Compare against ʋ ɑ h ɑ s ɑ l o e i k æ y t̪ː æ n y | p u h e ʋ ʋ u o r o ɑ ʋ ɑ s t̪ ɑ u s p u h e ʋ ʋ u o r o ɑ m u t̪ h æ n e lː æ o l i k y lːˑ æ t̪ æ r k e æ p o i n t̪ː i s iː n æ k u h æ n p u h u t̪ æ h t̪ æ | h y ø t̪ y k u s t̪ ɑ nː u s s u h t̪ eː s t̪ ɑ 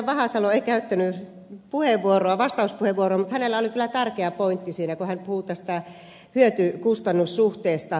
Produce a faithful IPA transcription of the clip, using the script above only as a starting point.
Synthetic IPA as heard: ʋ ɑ h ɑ s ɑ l o e i k æ y t̪ː æ n y | p u h e ʋ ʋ u o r o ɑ ʋ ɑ s t̪ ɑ u s p u h e ʋ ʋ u o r o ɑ m u t̪ h æ n e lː æ o l i k y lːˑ æ t̪ æ r k e æ p o i n t̪ː i s iː n æ k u h æ n p u h u t̪ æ s t̪ æ | h y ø t̪ y k u s t̪ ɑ nː u s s u h t̪ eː s t̪ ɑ